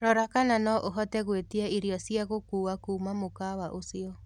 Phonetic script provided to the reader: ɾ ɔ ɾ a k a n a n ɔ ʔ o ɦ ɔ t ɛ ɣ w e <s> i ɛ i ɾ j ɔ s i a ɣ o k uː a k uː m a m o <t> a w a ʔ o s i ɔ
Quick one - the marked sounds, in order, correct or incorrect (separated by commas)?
incorrect, incorrect